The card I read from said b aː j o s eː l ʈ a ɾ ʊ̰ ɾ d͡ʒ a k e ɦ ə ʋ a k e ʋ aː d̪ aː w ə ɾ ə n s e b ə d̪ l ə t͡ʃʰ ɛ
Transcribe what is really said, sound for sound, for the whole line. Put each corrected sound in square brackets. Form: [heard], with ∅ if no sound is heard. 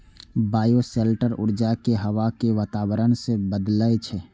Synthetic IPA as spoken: b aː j o s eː l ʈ [ə] ɾ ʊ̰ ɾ d͡ʒ a k e ɦ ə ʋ a k e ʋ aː [t̪] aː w ə ɾ ə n s e b ə d̪ l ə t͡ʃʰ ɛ